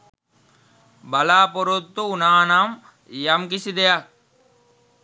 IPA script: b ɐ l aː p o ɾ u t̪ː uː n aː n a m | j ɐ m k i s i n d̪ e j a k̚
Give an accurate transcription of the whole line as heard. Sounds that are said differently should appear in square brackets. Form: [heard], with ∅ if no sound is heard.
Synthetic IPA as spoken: b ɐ l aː p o ɾ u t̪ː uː n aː n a m | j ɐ m k i s i [∅] d̪ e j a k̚